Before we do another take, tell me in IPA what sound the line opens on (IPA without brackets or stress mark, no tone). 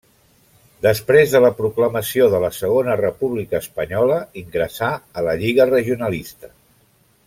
d̪